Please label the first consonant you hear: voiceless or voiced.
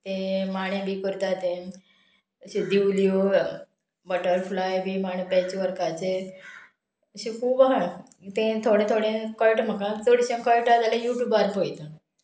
voiceless